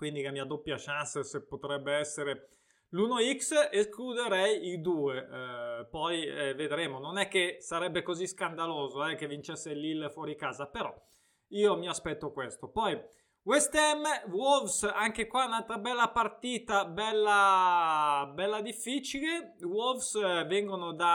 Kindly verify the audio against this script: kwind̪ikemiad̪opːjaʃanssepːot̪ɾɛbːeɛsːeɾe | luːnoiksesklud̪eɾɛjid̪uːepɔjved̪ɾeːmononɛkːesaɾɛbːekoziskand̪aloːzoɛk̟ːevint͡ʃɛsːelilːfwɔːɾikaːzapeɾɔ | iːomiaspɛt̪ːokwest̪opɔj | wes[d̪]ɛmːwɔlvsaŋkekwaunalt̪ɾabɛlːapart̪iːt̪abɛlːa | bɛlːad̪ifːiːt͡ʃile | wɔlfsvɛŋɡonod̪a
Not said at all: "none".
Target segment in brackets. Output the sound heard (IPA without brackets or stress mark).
t̪